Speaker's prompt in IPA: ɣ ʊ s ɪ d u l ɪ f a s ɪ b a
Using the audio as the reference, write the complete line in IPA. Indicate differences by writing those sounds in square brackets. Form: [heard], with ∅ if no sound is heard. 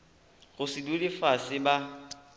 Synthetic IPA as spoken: ɣ ʊ s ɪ d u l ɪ f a s ɪ b a